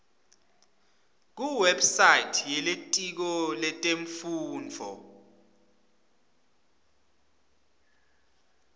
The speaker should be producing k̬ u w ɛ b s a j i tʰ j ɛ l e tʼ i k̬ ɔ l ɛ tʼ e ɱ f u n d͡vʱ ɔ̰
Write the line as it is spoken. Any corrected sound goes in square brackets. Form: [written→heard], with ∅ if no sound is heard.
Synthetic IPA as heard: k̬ u w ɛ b s a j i tʰ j ɛ l e tʼ i k̬ ɔ l ɛ tʼ e ɱ f [u→uː] n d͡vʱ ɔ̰

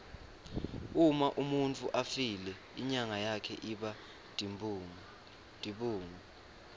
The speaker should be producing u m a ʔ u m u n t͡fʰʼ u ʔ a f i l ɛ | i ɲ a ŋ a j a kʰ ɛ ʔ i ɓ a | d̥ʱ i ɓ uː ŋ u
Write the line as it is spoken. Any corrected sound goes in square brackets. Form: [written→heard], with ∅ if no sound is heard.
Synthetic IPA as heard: u m a ʔ u m u n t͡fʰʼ u ʔ a f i l ɛ | i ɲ a ŋ a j a kʰ ɛ ʔ i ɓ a | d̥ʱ i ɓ uː ŋ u

